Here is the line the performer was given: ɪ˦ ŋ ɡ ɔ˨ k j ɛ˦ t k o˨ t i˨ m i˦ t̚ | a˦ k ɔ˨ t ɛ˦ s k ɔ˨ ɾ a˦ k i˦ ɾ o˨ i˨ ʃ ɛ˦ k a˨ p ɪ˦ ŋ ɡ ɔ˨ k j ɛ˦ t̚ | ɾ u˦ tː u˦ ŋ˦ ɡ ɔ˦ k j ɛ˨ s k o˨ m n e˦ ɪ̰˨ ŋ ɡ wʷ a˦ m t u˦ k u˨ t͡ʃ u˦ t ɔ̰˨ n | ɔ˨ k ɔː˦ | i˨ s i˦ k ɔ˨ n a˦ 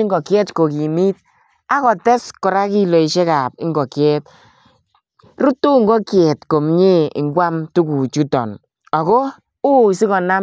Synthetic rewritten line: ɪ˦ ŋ ɡ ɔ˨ k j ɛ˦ t k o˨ k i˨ m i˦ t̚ | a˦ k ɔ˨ t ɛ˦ s k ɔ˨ ɾ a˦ k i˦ l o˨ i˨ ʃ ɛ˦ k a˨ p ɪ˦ ŋ ɡ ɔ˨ k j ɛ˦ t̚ | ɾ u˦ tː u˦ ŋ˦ ɡ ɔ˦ k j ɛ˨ t k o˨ m ɲ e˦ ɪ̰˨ ŋ ɡ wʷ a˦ m t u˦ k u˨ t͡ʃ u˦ t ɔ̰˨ n | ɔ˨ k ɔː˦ | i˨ s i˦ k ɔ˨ n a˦